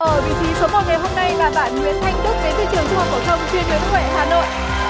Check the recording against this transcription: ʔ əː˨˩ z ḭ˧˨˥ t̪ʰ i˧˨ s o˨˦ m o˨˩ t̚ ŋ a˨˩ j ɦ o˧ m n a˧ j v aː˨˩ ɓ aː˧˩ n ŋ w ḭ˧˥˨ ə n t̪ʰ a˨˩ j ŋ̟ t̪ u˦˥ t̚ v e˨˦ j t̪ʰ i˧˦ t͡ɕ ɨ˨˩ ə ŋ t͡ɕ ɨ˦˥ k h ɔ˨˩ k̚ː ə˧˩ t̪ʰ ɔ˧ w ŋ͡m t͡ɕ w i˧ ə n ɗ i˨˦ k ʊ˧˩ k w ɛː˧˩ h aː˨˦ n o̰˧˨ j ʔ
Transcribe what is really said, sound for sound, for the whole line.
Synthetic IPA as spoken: ʔ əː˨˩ v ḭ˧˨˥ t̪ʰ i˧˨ s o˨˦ m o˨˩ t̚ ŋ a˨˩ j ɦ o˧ m n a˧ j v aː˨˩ ɓ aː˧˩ n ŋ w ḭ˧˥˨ ə n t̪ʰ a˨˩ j ŋ̟ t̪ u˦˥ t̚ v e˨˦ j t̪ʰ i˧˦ t͡ɕ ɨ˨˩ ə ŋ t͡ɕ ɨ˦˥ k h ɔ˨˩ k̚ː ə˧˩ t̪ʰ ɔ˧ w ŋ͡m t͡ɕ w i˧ ə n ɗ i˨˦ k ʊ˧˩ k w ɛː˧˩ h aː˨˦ n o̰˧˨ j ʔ